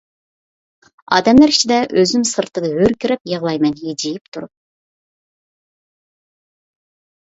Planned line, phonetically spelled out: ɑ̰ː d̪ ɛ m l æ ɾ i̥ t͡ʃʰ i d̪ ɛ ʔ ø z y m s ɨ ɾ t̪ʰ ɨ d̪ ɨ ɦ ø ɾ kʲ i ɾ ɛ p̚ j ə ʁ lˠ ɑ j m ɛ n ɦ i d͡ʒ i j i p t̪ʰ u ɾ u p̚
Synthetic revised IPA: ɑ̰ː d̪ ɛ m l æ ɾ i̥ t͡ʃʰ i d̪ ɛ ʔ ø z y m s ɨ ɾ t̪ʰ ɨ d̪ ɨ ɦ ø ɾ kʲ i ɾ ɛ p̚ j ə ʁ lˠ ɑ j m ɛ n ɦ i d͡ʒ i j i p t̪ʰ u ɾ u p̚